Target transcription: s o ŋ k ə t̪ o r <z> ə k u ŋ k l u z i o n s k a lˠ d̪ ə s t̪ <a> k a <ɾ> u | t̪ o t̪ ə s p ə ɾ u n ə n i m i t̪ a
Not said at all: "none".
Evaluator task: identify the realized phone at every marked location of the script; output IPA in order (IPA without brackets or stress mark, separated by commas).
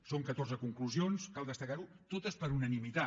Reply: z, ə, ɾ